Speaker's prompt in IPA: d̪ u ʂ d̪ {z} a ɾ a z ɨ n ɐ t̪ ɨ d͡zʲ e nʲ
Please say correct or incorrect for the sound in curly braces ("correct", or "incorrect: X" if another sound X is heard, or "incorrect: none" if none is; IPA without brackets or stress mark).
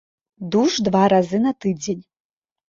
incorrect: v